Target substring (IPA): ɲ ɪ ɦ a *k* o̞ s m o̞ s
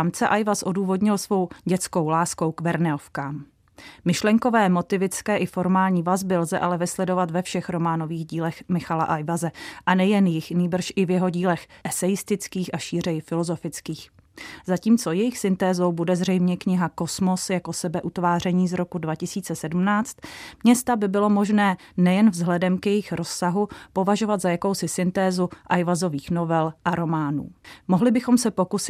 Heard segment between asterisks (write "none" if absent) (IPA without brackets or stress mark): k